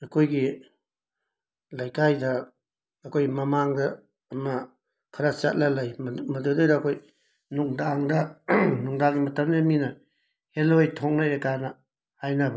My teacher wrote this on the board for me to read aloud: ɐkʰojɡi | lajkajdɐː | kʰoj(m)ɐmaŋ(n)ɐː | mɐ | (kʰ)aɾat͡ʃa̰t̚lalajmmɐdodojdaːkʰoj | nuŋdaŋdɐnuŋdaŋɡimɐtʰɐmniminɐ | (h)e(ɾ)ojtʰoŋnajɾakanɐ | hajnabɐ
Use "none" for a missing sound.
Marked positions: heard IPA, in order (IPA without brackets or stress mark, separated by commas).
m, d, kʰ, h, l